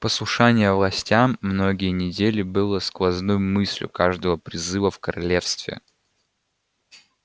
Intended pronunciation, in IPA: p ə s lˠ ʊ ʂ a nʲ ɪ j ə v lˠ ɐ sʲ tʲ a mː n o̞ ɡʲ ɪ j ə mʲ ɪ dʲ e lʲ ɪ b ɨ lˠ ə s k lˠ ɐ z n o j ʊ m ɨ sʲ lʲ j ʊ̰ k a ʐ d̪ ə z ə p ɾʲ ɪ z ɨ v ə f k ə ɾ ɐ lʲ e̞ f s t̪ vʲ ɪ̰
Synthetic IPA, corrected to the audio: p ə s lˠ ʊ ʂ a nʲ ɪ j ə v lˠ ɐ sʲ tʲ a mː n o̞ ɡʲ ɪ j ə nʲ ɪ dʲ e lʲ ɪ b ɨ lˠ ə s k lˠ ɐ z n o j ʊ m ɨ sʲ lʲ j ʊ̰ k a ʐ d̪ ə v ə p ɾʲ ɪ z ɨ v ə f k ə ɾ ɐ lʲ e̞ f s t̪ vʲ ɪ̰